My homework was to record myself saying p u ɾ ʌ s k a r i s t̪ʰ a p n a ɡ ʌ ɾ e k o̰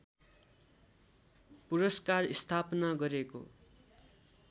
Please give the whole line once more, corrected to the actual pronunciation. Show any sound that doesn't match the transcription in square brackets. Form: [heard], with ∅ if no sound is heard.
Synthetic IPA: p u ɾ ʌ s k a r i s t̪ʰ a p n a ɡ ʌ ɾ e k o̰

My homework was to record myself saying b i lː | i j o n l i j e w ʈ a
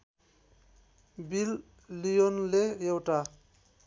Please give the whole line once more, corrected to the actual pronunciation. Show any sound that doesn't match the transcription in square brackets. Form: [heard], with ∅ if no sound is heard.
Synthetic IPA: b i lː | i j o n l [e] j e w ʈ a

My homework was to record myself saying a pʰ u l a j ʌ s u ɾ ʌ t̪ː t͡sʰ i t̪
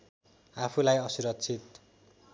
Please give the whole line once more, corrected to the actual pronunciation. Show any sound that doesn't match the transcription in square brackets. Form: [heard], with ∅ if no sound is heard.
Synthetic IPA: a pʰ u l a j ʌ s u ɾ ʌ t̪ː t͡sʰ i t̪

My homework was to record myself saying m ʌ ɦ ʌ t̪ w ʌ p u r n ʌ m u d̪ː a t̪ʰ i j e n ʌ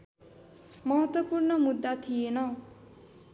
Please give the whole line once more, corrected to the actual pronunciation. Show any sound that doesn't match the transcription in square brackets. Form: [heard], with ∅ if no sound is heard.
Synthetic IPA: m ʌ ɦ ʌ t̪ w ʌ p u r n ʌ m u d̪ː a t̪ʰ i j e n ʌ

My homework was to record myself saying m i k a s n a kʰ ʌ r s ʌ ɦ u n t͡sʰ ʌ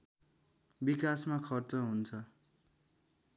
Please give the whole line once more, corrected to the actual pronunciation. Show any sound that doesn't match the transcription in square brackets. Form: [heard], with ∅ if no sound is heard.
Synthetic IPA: [b] i k a s [m] a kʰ ʌ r [t͡s] ʌ ɦ u n t͡sʰ ʌ

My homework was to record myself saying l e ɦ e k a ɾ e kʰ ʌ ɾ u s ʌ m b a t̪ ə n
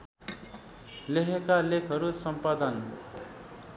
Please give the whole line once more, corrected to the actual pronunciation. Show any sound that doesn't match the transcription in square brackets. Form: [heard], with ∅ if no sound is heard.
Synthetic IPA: l e ɦ e k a [l] e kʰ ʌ ɾ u s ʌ m [p] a [d̪] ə n

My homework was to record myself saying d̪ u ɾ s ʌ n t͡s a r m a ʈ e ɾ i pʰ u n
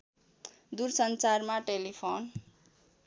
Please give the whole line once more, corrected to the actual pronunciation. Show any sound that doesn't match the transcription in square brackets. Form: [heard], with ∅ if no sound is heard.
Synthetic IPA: d̪ u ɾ s ʌ n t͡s a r m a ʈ e [l] i pʰ [o] n

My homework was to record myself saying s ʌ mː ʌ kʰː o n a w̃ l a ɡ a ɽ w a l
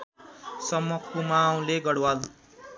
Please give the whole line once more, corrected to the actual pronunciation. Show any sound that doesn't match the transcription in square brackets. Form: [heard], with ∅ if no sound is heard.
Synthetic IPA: s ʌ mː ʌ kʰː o [m] a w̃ l [e] ɡ [ʌ] ɽ w a l

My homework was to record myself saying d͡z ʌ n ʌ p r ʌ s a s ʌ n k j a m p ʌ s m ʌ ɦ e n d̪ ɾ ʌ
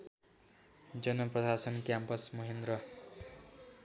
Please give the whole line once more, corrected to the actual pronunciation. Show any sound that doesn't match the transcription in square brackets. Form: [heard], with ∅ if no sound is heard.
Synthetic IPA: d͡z ʌ n ʌ p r ʌ s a s ʌ n k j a m p ʌ s m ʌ ɦ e n d̪ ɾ ʌ

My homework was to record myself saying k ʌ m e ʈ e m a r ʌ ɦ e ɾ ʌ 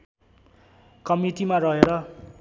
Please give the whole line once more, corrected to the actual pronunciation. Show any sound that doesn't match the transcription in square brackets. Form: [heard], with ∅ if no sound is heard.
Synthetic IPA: k ʌ m [i] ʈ [i] m a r ʌ ɦ e ɾ ʌ

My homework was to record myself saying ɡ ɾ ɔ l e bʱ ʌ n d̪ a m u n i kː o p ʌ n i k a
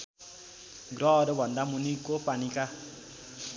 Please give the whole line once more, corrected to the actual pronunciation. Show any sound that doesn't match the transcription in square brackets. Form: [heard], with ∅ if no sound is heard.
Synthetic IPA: ɡ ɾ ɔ [ɾ] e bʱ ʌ n d̪ a m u n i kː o p [a] n i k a

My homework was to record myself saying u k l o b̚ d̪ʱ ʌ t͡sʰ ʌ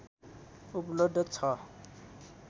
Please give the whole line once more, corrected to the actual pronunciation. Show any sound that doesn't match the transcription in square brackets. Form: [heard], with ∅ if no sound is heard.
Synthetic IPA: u [p] l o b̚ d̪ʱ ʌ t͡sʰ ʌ

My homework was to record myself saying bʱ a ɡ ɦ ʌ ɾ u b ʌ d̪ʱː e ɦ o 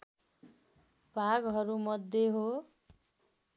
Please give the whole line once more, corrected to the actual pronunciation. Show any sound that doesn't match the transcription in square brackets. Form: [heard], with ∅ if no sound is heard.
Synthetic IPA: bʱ a ɡ ɦ ʌ ɾ u [m] ʌ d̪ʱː e ɦ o

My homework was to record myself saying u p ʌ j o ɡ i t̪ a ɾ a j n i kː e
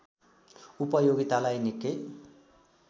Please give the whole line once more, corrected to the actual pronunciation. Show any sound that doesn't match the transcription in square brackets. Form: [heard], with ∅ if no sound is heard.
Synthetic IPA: u p ʌ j o ɡ i t̪ a [l] a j n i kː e

